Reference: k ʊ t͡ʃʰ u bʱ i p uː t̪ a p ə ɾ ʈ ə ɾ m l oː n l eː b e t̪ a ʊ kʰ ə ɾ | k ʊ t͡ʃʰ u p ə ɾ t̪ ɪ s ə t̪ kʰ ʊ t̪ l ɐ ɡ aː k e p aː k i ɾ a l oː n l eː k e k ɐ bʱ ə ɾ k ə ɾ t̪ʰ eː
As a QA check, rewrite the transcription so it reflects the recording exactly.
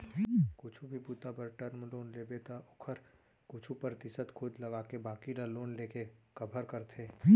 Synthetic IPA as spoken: k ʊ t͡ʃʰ u bʱ i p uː t̪ a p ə ɾ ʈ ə ɾ m l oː n l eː b e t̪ a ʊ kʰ ə ɾ | k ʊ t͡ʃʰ u p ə ɾ t̪ ɪ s ə t̪ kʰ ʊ d̪ l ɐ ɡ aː k e b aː k i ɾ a l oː n l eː k e k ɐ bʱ ə ɾ k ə ɾ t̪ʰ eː